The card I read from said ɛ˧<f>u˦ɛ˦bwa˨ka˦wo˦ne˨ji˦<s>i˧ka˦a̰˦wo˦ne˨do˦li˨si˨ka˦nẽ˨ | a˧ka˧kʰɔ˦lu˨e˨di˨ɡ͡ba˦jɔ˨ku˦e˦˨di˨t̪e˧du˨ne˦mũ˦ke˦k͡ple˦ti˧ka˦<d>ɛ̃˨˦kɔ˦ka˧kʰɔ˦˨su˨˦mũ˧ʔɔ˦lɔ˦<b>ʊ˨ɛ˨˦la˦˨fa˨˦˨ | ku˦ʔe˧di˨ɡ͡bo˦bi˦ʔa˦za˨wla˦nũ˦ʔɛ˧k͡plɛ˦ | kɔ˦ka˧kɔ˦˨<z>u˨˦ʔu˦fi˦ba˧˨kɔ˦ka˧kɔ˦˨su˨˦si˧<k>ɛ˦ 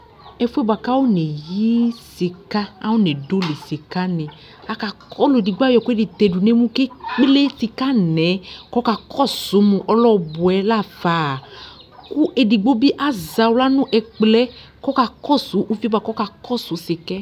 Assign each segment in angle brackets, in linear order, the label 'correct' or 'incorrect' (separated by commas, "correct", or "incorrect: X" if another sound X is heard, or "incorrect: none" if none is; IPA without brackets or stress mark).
correct, correct, incorrect: n, correct, incorrect: s, correct